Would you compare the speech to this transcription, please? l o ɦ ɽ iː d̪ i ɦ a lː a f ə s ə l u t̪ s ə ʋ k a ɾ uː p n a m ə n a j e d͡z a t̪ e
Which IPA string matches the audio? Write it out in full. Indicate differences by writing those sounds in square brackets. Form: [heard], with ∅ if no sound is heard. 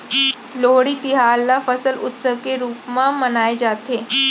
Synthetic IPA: l o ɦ ɽ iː [t̪] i ɦ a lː a f ə s ə l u t̪ s ə ʋ k [e] ɾ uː p [m] a m ə n a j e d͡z a t̪ e

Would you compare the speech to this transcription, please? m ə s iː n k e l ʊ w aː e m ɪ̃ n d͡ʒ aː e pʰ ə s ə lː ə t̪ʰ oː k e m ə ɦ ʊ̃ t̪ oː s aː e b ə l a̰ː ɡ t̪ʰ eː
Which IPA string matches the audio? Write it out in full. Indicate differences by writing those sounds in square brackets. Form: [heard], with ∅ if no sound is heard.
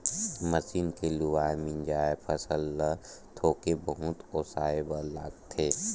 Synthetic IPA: m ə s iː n k e l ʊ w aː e m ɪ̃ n d͡ʒ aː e pʰ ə s ə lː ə t̪ʰ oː k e [b] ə ɦ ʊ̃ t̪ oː s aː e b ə l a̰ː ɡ t̪ʰ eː

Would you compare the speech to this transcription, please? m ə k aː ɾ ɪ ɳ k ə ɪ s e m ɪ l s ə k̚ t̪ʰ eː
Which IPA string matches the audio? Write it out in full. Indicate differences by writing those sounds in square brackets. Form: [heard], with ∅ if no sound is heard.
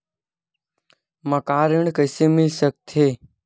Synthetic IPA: m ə k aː ɾ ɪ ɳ k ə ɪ s e m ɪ l s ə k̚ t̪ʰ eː

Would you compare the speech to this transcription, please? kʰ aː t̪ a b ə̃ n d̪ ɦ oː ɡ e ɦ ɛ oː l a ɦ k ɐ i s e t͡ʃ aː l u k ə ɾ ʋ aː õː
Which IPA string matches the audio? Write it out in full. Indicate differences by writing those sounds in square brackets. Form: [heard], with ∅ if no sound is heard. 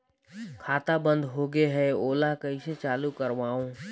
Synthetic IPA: kʰ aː t̪ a b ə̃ n d̪ ɦ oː ɡ e ɦ ɛ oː l a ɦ k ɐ i s e t͡ʃ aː l u k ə ɾ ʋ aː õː

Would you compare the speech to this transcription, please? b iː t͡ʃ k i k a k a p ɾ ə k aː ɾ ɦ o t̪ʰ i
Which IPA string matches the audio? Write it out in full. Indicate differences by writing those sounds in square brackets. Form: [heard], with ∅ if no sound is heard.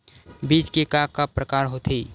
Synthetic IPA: b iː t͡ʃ k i k a k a p ɾ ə k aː ɾ ɦ o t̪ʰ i

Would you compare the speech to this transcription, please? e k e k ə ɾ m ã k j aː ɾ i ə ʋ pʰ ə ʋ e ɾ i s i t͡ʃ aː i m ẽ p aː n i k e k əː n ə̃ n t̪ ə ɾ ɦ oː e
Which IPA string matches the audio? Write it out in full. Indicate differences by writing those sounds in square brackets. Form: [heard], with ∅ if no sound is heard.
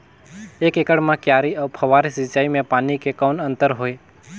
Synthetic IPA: e k e k ə [ɽ] m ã k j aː ɾ i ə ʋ pʰ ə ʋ [a] ɾ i s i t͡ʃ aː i m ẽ p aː n i k e k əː n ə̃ n t̪ ə ɾ ɦ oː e

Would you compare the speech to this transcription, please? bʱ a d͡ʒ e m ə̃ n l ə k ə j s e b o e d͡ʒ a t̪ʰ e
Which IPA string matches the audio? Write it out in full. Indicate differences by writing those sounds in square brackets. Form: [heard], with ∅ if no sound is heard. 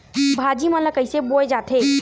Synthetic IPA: bʱ a d͡ʒ [i] m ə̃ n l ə k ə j s e b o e d͡ʒ a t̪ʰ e

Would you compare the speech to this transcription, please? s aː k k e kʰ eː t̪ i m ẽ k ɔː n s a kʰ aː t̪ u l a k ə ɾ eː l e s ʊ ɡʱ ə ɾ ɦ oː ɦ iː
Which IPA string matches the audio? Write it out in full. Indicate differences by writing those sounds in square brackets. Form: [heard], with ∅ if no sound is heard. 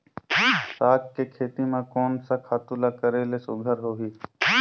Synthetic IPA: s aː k k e kʰ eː t̪ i m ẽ k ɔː n s a kʰ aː t̪ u l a k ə ɾ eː l e s ʊ ɡʱ ə ɾ ɦ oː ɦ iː

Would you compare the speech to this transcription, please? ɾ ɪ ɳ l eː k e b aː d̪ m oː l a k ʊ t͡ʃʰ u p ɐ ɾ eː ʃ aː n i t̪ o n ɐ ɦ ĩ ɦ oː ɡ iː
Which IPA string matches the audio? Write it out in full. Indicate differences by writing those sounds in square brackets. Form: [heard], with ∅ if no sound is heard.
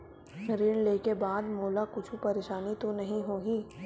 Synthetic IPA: ɾ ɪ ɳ l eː k e b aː d̪ m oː l a k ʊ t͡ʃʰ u p ɐ ɾ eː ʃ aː n i t̪ o n ɐ ɦ ĩ ɦ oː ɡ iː

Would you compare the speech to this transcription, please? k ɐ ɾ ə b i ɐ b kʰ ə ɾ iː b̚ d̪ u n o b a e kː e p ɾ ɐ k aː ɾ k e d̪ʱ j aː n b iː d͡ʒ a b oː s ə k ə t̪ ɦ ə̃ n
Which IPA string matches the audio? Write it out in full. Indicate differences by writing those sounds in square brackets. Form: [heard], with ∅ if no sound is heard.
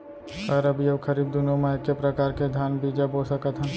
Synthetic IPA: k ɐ ɾ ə b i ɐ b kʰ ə ɾ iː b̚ d̪ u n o [m] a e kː e p ɾ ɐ k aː ɾ k e d̪ʱ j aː n b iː d͡ʒ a b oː s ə k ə t̪ ɦ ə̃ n

